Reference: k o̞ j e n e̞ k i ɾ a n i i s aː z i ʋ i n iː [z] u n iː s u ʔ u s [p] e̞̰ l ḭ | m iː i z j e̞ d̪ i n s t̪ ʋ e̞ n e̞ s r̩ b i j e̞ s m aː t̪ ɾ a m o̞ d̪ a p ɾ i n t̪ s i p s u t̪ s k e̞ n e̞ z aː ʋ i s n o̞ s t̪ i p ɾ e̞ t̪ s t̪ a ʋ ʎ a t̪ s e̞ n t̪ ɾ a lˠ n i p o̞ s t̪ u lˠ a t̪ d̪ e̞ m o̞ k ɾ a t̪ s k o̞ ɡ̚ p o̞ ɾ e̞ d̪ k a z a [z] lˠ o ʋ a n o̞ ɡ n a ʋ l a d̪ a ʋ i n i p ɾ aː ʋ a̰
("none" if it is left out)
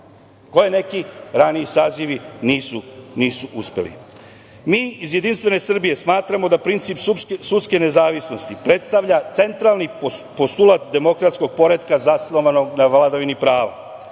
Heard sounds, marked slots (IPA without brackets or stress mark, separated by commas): s, p, s